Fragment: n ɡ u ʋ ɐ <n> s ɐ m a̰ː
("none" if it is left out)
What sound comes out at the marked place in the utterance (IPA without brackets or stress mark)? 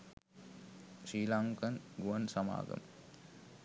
n